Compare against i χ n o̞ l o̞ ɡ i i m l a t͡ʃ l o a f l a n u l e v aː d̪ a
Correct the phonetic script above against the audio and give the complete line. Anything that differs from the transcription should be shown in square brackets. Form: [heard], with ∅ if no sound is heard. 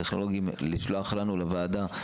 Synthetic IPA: [e] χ n o̞ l o̞ ɡ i i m l [i] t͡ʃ l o a [χ] l a n u l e v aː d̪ a